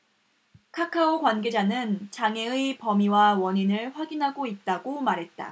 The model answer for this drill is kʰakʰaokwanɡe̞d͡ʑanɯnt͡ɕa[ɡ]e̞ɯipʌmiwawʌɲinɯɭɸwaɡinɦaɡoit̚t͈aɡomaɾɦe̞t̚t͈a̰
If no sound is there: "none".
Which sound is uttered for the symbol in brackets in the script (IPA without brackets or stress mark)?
ŋ